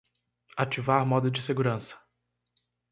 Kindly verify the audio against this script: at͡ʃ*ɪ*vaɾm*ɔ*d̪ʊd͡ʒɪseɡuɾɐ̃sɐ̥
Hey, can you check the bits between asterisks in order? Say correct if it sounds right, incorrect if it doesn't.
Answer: incorrect, correct

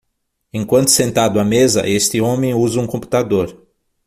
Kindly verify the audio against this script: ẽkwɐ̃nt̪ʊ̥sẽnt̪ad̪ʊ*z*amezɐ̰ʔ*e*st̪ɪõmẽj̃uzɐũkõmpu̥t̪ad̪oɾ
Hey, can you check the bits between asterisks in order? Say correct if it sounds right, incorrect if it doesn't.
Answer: incorrect, correct

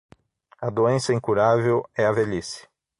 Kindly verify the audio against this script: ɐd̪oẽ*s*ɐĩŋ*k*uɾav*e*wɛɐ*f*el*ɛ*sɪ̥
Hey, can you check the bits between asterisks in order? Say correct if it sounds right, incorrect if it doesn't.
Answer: correct, correct, correct, incorrect, incorrect

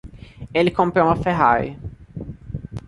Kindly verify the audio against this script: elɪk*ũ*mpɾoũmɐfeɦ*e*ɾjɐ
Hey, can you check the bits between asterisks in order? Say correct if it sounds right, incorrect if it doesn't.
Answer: incorrect, incorrect

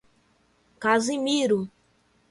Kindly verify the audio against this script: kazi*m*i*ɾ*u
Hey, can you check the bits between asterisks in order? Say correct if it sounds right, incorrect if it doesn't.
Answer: correct, correct

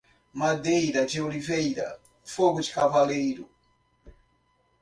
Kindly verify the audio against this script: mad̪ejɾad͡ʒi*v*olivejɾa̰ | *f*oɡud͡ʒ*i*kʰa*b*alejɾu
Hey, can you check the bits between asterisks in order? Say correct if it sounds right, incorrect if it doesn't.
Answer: incorrect, correct, correct, incorrect

